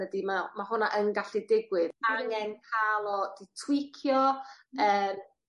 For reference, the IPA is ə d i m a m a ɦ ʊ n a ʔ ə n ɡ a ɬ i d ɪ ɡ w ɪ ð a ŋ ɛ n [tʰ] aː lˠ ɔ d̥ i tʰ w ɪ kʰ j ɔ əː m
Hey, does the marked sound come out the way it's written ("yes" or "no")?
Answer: no